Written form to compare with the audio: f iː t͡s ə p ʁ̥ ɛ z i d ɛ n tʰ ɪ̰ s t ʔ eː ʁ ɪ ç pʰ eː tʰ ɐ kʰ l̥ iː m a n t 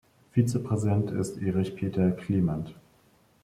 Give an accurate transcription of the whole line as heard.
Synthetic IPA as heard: f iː t͡s ə p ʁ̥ ɛ z i d ɛ n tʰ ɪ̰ s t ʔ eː ʁ ɪ ç pʰ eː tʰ ɐ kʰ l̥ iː m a n t